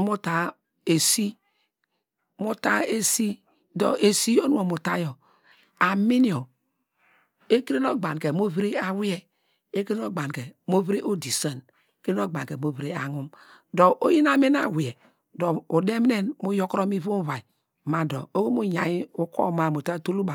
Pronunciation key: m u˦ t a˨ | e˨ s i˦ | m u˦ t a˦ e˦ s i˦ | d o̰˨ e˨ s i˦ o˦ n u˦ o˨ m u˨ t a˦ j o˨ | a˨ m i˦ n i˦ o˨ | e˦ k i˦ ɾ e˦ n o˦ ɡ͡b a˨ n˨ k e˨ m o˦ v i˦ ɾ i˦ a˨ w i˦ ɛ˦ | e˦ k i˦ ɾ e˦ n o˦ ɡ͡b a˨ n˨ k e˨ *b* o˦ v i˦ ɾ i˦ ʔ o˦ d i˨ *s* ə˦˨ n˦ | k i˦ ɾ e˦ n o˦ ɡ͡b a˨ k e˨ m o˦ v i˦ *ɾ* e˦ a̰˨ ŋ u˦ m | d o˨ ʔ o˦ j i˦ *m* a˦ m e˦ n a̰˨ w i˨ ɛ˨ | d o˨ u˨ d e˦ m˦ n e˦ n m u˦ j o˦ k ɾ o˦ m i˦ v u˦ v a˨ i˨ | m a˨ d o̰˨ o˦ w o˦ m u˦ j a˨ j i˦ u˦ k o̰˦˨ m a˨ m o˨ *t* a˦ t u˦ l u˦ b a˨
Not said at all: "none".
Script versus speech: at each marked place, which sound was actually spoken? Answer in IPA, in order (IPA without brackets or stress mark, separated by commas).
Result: m, s, ɾ, n, t